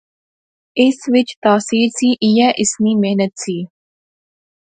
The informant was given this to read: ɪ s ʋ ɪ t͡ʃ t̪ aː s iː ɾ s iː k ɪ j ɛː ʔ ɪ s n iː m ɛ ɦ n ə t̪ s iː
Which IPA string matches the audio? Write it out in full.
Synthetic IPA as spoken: ɪ s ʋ ɪ t͡ʃ t̪ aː s iː ɾ s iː ʔ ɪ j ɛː ʔ ɪ s n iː m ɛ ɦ n ə t̪ s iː

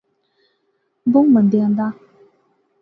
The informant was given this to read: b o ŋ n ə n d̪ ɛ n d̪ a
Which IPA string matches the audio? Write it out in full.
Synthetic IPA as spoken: b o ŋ m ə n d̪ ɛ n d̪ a

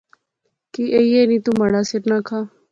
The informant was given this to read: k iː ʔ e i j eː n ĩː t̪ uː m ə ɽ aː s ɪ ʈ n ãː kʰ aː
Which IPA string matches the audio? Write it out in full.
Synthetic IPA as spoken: k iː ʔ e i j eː n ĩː t̪ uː m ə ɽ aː s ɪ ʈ n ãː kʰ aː

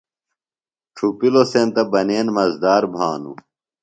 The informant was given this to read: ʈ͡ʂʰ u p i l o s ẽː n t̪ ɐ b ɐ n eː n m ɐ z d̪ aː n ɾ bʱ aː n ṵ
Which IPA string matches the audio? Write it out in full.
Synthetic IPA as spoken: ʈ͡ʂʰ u p i l o s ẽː n t̪ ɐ b ɐ n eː n m ɐ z d̪ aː ɾ bʱ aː n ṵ

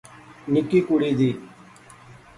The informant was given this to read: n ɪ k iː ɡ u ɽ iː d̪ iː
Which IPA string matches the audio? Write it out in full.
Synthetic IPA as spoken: n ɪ k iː k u ɽ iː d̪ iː

